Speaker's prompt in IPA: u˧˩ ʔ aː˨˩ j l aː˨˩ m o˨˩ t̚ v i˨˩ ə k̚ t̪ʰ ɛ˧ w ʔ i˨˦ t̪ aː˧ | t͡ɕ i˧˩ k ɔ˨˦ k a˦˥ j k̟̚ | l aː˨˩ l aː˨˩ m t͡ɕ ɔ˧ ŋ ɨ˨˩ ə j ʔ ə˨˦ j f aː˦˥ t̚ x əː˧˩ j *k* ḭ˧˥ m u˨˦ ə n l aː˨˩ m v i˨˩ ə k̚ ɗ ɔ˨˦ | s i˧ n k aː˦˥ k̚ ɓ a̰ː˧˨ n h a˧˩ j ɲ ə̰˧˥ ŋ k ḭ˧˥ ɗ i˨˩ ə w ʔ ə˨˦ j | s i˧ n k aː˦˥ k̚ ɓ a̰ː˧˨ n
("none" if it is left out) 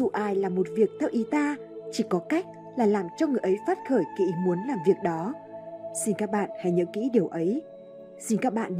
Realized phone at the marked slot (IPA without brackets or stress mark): k